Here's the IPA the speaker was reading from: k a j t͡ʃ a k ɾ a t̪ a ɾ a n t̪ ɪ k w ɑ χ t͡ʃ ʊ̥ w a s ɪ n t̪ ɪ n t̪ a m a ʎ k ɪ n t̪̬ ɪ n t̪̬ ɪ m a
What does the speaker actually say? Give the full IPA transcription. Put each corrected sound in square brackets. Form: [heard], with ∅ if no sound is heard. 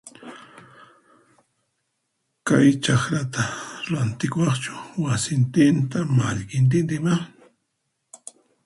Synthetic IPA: k a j t͡ʃ a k ɾ a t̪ a ɾ a n t̪ ɪ k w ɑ χ t͡ʃ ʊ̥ w a s ɪ n t̪ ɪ n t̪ a m a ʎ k ɪ n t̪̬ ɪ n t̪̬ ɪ m a